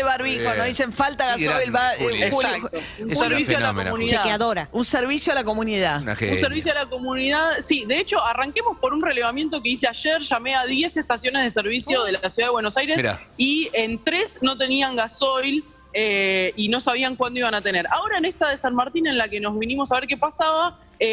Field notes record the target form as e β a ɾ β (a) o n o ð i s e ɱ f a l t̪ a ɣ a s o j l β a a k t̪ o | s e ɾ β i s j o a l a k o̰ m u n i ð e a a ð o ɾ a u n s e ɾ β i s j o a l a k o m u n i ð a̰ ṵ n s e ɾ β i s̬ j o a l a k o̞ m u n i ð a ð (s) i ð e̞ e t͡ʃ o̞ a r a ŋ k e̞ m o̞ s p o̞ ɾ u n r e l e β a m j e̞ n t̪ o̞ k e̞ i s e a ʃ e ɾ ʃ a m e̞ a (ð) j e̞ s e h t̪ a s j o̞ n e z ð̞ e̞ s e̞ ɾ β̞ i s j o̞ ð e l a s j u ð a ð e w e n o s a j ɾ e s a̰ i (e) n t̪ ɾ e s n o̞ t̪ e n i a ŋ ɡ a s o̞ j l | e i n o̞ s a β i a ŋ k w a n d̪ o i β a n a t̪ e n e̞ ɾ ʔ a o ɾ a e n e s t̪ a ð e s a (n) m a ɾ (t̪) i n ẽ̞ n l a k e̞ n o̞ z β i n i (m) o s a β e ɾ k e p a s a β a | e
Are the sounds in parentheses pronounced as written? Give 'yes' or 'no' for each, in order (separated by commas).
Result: no, yes, yes, yes, yes, yes, yes